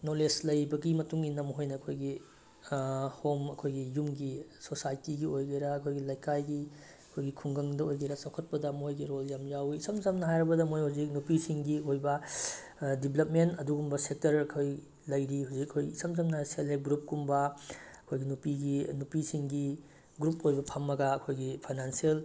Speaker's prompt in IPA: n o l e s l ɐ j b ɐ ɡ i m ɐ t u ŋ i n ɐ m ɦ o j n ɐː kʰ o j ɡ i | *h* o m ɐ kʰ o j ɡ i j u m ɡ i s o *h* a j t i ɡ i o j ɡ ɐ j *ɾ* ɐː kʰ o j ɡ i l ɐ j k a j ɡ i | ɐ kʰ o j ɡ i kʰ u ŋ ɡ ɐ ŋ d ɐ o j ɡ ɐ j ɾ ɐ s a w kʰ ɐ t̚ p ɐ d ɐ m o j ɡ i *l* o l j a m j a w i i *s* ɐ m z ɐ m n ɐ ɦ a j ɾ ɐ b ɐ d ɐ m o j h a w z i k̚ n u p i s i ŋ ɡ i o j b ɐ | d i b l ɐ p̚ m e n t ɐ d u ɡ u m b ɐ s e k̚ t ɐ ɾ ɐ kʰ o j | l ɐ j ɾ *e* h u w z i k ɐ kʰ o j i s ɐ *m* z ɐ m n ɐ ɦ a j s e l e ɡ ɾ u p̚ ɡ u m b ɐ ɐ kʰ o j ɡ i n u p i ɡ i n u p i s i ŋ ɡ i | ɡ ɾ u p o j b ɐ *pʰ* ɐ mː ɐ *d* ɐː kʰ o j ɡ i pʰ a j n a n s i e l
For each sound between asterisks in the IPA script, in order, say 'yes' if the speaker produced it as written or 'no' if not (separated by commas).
yes, no, yes, no, yes, no, yes, yes, no